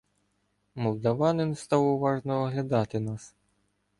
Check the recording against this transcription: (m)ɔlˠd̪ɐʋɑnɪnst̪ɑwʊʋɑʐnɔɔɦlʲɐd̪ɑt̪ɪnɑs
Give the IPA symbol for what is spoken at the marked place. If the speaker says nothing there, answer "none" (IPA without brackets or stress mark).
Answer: m